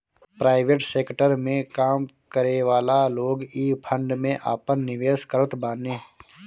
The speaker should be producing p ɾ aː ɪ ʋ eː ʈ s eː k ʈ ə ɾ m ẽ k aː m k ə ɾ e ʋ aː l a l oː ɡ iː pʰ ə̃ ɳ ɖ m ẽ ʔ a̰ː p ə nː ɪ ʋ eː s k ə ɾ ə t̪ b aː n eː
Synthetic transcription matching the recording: p ɾ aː ɪ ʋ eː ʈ s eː k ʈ ə ɾ m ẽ k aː m k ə ɾ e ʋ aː l a l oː ɡ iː pʰ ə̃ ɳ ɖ m ẽ ʔ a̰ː p ə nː ɪ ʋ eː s k ə ɾ ə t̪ b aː n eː